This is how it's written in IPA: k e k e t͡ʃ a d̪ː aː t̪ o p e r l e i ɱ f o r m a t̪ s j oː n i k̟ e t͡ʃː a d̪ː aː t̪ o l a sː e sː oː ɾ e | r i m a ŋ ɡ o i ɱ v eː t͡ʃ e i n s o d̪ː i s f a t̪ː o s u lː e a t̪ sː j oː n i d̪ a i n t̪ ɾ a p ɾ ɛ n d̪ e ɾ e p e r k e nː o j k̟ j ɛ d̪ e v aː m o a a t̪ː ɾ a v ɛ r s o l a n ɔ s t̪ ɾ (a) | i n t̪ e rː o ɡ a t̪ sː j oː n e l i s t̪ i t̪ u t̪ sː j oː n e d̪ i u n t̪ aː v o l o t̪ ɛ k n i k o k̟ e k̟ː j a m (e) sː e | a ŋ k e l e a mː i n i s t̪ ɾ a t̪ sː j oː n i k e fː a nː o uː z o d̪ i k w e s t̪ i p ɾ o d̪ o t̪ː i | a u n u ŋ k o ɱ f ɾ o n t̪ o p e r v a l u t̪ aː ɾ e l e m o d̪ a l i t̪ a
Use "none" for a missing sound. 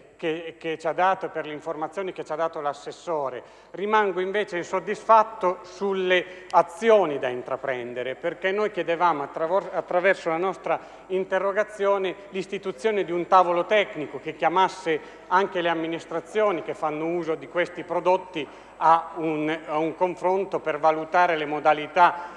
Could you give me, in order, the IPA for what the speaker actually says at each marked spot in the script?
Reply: a, a

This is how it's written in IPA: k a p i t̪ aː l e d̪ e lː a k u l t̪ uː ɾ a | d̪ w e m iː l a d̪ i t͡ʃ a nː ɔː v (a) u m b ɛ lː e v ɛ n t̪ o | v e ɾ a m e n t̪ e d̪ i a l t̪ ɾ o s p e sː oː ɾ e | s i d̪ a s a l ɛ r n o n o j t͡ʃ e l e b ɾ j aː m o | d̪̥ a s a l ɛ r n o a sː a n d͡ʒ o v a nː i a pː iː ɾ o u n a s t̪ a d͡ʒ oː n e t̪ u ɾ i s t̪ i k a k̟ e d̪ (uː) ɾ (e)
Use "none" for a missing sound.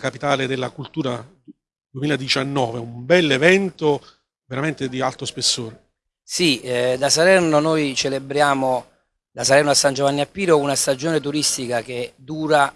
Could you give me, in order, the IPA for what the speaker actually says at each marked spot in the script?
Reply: e, uː, a

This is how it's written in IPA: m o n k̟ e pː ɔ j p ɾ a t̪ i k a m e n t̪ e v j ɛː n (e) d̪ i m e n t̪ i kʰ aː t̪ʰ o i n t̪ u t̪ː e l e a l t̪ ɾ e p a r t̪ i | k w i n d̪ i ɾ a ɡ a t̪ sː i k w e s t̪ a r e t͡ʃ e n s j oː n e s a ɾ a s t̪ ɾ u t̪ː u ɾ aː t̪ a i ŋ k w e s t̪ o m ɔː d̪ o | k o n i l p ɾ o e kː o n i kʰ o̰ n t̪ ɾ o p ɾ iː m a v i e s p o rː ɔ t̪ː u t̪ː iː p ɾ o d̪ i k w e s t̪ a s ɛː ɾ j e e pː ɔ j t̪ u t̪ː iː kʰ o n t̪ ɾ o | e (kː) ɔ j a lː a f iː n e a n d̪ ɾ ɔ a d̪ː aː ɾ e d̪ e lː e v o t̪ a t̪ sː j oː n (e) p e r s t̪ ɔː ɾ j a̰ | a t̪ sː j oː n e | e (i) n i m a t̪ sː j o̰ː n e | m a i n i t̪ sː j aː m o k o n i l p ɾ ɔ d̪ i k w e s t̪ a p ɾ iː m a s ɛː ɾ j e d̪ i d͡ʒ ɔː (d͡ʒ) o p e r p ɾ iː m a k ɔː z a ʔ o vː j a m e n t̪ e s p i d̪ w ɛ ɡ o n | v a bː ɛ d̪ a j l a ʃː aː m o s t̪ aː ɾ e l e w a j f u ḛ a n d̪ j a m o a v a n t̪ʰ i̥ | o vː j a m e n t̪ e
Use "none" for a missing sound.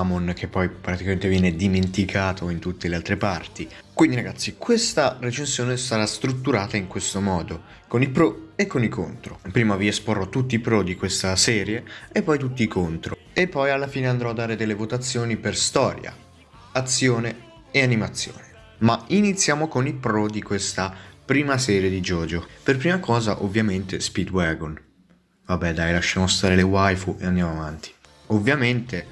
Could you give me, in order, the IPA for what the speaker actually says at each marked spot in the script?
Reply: e, pː, i, a, d͡ʒ

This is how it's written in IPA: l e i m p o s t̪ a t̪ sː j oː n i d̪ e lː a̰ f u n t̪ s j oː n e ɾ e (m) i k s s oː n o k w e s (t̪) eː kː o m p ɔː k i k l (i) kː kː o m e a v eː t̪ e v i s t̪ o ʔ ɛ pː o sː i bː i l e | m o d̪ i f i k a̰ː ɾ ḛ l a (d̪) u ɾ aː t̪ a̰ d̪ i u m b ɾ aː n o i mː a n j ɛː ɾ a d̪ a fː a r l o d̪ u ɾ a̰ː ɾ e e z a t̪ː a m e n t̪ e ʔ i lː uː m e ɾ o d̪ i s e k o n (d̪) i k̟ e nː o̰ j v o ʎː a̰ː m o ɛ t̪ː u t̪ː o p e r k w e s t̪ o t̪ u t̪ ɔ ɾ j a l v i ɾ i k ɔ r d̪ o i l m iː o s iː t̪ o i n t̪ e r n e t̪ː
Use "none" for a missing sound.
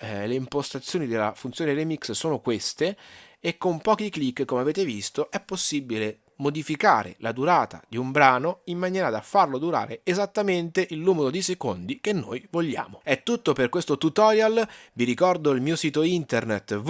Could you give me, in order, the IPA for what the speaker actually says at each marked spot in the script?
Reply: m, t̪, i, d̪, d̪

